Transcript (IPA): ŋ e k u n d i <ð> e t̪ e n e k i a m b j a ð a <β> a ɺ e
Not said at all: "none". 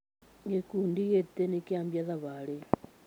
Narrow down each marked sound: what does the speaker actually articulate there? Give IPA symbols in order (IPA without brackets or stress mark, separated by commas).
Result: ɣ, β